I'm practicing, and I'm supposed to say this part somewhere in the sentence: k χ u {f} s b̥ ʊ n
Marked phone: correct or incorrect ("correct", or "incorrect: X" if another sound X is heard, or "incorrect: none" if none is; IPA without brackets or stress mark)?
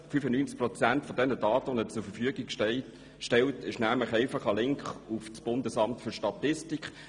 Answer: correct